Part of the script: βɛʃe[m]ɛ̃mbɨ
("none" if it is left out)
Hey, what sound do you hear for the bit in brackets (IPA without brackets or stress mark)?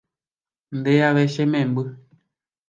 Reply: m